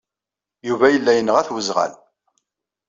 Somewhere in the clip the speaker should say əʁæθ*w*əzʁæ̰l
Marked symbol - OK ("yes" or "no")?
yes